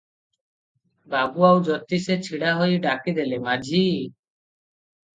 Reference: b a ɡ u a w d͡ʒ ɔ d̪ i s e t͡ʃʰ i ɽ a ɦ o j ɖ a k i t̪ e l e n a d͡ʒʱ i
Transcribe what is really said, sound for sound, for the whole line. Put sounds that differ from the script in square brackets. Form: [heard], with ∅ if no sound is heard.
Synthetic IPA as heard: b a ɡ u a w d͡ʒ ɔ [t̪] i s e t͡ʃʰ i ɽ a ɦ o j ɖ a k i [d̪] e l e [m] a d͡ʒʱ i